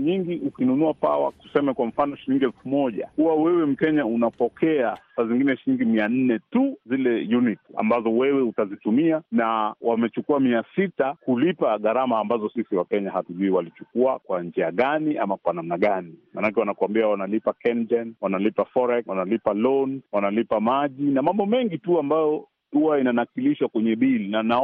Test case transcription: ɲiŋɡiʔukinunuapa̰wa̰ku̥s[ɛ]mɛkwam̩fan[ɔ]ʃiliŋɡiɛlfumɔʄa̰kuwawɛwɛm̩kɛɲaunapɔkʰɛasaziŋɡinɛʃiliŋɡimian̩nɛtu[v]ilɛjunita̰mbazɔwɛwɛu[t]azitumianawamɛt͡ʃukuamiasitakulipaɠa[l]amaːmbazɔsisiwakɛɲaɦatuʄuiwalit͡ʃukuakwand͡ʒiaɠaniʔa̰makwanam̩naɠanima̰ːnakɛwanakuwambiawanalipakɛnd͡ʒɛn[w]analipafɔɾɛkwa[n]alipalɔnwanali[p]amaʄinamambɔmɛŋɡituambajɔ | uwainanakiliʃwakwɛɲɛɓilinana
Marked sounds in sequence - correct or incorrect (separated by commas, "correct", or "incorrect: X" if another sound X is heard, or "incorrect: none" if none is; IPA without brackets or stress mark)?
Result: correct, correct, incorrect: z, correct, incorrect: ɾ, correct, correct, correct